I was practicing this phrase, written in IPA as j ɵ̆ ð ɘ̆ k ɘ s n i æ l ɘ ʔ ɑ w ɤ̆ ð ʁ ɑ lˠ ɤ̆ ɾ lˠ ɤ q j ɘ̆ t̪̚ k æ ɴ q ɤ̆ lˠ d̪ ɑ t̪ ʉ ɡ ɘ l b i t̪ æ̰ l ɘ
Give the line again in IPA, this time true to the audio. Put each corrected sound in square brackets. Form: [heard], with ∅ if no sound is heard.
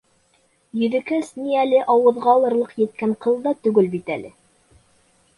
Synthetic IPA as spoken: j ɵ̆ ð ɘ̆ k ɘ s n i æ l ɘ ʔ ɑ w ɤ̆ ð ʁ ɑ lˠ ɤ̆ ɾ lˠ ɤ q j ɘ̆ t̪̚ k æ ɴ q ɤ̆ lˠ d̪ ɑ t̪ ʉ ɡ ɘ l b i t̪ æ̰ l ɘ